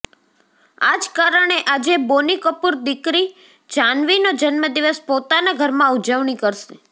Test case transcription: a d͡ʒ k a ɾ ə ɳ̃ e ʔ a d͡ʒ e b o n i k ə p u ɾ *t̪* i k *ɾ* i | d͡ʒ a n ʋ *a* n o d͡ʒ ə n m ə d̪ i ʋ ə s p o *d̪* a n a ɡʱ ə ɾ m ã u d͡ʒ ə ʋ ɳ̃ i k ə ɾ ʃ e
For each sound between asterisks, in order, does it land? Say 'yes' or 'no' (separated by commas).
no, yes, no, no